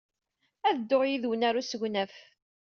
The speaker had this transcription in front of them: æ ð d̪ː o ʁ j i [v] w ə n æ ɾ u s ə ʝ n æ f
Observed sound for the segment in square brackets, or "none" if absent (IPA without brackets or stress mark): ð